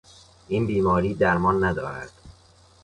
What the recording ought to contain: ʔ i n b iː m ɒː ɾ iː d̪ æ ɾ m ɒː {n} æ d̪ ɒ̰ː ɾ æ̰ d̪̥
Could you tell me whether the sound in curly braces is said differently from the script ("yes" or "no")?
yes